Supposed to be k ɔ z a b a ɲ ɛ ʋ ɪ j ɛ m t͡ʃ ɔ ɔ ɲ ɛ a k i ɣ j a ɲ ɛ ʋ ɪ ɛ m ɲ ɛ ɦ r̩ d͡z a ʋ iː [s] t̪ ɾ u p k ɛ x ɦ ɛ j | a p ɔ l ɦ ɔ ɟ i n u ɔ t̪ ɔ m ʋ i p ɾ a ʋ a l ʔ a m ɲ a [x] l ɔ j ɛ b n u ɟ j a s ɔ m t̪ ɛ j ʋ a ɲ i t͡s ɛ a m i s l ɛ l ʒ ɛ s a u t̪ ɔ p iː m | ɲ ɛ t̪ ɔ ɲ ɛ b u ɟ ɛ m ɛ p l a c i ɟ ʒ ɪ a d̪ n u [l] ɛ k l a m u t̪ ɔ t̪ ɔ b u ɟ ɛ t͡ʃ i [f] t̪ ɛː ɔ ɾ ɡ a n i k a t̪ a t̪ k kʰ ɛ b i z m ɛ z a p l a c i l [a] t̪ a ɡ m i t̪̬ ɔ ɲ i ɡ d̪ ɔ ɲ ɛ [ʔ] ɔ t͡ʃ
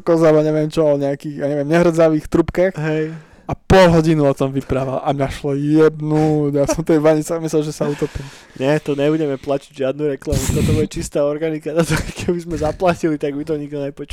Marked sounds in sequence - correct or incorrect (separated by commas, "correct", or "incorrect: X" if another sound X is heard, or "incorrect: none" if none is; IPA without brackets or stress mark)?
incorrect: x, incorrect: ʃ, incorrect: ɾ, incorrect: s, incorrect: i, incorrect: p